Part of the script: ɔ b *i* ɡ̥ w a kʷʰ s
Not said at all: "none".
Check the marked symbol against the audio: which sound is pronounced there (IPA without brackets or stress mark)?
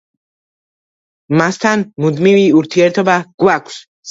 a